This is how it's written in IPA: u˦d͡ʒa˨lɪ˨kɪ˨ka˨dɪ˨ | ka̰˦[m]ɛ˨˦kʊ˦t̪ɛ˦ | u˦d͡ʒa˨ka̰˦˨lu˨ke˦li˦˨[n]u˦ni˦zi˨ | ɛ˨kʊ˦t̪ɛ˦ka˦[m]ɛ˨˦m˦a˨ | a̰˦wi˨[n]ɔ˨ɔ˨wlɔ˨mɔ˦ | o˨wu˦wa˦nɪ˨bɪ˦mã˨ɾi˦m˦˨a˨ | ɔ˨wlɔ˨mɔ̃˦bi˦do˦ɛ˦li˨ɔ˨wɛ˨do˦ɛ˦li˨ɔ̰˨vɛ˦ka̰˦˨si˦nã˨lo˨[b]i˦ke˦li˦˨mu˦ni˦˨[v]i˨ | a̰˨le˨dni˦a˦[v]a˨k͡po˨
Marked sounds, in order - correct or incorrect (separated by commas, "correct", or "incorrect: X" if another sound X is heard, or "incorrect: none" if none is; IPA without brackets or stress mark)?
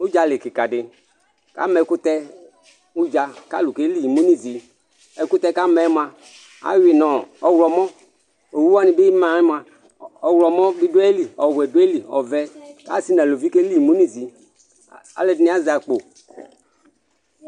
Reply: correct, incorrect: m, correct, correct, incorrect: v, incorrect: z, incorrect: z